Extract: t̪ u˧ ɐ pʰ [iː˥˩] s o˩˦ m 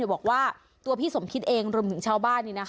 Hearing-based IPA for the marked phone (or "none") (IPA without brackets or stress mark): iː˥˩